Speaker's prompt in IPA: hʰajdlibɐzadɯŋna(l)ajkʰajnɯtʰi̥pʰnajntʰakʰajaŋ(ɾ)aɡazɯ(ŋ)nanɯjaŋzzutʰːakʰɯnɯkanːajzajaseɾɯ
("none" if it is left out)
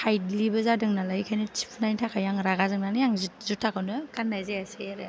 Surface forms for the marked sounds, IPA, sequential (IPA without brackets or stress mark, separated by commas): l, ɾ, ŋ